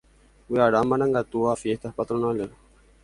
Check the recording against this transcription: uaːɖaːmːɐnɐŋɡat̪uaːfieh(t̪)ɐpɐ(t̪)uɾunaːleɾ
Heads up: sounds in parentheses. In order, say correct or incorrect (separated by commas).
correct, correct